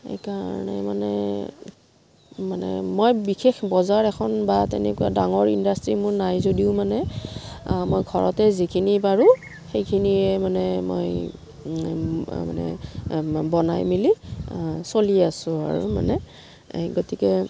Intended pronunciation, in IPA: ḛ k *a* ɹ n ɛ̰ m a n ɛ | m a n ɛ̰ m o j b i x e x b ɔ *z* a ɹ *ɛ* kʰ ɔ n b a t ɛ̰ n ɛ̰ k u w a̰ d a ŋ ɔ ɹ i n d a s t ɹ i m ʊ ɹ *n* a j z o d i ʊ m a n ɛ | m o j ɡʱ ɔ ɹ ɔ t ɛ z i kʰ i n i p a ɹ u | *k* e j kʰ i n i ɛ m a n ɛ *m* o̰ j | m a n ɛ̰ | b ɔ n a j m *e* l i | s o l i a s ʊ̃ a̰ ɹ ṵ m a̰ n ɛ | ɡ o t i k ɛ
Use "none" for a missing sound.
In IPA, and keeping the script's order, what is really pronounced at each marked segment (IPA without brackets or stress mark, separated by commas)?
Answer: a, z, ɛ, n, x, m, i